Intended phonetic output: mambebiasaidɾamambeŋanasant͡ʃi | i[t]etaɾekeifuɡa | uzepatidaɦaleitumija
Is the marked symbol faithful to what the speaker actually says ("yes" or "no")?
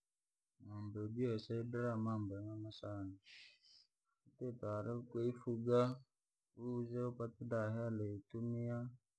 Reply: yes